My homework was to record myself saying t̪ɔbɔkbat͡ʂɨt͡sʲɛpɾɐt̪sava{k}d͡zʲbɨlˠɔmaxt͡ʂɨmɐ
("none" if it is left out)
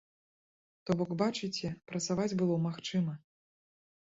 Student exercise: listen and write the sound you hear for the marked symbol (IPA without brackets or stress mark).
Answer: none